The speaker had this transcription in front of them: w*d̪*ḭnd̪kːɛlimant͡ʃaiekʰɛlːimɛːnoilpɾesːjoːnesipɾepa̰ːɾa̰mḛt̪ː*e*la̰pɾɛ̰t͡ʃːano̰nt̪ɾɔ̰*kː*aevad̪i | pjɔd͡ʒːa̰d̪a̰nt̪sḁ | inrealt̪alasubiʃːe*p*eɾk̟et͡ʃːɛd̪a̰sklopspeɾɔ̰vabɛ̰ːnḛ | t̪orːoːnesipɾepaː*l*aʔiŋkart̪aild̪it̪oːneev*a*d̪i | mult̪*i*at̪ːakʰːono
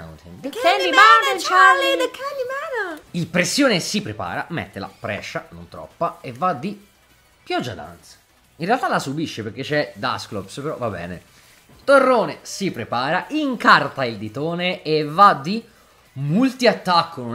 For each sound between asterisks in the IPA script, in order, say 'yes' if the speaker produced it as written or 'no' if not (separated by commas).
no, yes, no, yes, no, yes, yes